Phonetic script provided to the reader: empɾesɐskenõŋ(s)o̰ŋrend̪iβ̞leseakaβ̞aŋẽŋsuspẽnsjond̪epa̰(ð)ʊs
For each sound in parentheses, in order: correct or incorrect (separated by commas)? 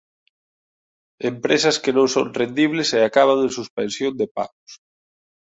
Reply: correct, incorrect